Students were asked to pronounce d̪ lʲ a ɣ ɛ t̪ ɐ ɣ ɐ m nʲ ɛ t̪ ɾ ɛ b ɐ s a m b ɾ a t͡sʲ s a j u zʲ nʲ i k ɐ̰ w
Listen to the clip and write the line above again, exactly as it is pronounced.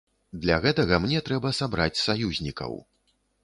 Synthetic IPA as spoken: d̪ lʲ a ɣ ɛ t̪ ɐ ɣ ɐ m nʲ ɛ t̪ ɾ ɛ b ɐ s a b ɾ a t͡sʲ s a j u zʲ nʲ i k ɐ̰ w